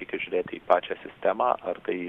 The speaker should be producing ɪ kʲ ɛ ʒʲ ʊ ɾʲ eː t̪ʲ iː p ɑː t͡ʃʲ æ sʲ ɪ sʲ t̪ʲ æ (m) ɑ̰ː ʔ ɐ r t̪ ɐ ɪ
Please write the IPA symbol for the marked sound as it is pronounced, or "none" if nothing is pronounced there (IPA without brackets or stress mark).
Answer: m